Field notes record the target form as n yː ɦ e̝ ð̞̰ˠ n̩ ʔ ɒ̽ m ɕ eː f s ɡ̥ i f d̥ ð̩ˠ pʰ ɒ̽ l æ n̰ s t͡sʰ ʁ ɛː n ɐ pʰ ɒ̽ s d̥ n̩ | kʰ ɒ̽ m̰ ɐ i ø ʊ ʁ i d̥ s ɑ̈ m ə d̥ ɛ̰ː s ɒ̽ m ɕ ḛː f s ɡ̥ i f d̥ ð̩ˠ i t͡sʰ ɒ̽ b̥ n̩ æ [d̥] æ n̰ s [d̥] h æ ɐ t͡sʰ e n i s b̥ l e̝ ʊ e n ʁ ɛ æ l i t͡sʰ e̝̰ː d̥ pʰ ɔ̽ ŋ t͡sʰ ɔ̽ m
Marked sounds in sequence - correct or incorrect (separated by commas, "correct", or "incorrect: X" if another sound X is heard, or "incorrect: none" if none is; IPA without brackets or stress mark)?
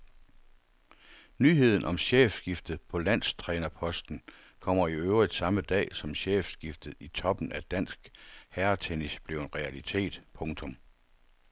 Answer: correct, incorrect: ɡ̥